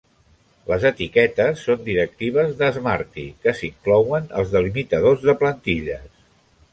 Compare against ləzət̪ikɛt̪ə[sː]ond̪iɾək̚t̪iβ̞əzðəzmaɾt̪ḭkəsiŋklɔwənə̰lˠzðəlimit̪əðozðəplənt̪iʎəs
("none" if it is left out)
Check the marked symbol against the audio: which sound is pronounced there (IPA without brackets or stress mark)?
sː